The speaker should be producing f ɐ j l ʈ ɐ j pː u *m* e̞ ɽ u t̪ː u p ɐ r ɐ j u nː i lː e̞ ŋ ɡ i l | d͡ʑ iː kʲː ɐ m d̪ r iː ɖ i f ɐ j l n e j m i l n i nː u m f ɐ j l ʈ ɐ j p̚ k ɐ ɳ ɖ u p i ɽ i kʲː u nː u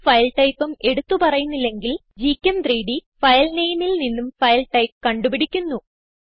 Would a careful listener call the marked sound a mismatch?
no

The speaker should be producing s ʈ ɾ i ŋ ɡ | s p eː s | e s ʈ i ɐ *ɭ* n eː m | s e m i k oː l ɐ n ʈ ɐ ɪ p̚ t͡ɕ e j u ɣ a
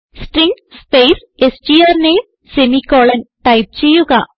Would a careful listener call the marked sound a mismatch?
yes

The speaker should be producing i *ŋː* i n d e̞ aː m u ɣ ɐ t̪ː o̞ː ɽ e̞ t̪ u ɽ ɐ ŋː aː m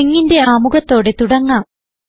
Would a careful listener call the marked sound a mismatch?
no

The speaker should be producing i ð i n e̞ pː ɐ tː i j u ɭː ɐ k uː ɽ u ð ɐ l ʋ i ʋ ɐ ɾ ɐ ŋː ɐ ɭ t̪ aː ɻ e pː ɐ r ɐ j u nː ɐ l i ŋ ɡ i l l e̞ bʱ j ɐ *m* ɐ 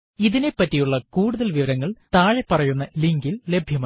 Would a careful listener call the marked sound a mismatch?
no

